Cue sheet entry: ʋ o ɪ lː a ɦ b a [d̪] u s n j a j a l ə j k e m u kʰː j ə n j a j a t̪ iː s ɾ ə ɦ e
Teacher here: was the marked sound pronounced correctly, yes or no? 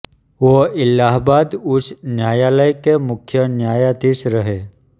yes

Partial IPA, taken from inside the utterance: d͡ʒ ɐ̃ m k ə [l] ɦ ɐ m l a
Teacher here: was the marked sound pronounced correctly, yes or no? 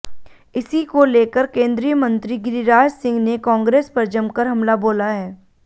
no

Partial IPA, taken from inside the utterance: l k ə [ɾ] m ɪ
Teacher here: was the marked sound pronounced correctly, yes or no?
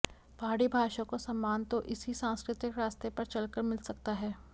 yes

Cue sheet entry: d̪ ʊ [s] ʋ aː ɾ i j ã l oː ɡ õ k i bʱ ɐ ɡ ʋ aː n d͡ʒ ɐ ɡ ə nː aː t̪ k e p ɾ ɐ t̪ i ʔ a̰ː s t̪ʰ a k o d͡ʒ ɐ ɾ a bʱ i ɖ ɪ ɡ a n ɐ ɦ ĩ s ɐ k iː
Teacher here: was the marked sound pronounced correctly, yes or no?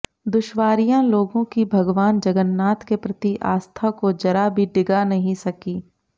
no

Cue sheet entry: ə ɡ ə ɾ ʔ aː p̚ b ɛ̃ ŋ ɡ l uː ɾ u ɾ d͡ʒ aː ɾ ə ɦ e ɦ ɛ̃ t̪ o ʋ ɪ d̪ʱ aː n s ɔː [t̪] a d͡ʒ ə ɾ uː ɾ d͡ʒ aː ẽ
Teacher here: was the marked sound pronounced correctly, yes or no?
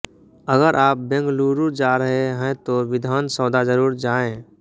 no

